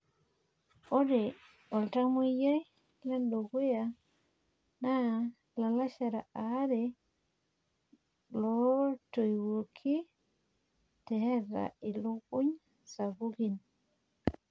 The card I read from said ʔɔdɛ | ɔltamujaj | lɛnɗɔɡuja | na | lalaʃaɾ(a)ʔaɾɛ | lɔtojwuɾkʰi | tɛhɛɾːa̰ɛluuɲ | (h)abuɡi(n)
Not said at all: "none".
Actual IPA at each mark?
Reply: a, s, n

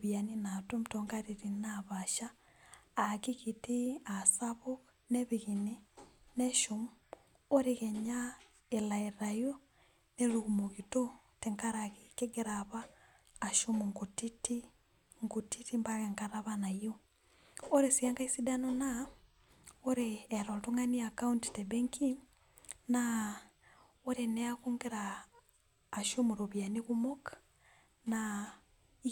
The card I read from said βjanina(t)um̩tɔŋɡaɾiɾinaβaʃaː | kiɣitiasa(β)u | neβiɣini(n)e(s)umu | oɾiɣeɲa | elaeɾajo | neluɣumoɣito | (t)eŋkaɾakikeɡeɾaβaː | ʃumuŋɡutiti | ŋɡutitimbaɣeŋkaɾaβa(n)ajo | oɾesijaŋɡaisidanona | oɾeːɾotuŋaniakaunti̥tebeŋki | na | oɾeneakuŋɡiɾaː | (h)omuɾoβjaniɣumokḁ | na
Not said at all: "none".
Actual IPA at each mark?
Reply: t, β, n, ʃ, t, n, ʃ

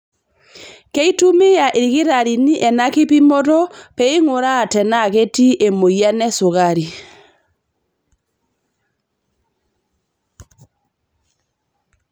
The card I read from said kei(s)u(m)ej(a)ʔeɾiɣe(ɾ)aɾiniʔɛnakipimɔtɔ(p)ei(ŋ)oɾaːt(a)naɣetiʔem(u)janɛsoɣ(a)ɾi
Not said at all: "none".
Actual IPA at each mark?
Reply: t, m, a, ɾ, p, ŋ, ɛ, o, a

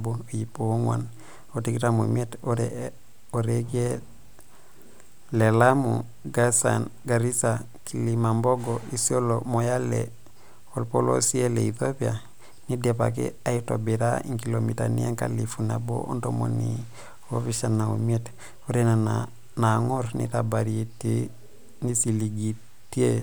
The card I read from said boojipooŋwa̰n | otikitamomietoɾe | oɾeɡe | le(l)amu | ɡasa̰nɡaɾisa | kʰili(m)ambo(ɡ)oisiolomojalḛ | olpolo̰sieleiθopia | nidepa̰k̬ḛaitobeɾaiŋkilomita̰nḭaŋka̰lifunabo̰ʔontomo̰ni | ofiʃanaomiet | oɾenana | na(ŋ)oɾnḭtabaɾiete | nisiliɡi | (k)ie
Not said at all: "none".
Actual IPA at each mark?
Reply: l, m, ɡ, ŋ, t

